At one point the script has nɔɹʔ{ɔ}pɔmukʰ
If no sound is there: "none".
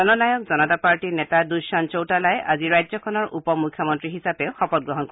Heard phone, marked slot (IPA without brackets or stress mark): u